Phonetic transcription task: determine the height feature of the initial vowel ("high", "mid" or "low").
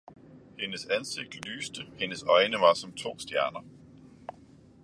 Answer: mid